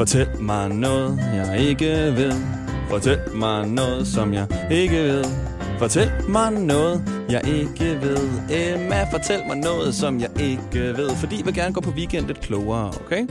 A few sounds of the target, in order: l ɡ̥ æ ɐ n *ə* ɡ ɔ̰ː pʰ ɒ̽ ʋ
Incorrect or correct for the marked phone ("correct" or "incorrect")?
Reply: correct